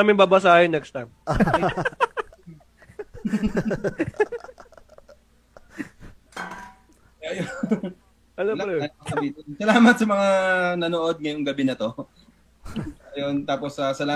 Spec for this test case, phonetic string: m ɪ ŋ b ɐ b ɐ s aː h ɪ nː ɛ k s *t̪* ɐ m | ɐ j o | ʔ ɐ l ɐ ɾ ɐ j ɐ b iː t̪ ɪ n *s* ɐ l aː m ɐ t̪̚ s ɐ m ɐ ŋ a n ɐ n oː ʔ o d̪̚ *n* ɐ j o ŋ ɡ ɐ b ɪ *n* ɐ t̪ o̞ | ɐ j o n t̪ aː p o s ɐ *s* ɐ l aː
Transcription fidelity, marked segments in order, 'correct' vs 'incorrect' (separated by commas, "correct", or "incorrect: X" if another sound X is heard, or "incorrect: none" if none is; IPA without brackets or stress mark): correct, correct, incorrect: ŋ, correct, correct